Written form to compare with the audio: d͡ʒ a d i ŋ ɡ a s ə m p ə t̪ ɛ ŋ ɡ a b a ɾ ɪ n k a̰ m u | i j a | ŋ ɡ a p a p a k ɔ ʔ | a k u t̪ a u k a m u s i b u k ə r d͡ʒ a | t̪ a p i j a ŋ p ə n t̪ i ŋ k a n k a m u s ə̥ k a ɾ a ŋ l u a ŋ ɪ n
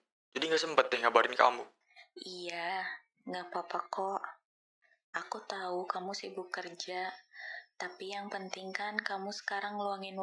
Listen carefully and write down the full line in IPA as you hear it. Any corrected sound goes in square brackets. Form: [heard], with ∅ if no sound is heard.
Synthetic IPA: d͡ʒ a d i ŋ ɡ a s ə m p ə t̪ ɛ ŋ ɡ a b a ɾ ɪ n k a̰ m u | i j a | ŋ ɡ a p a p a k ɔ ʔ | a k u t̪ a u k a m u s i b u k ə r d͡ʒ a | t̪ a p i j a ŋ p ə n t̪ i ŋ k a n k a m u s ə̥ k a ɾ a ŋ l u a ŋ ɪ n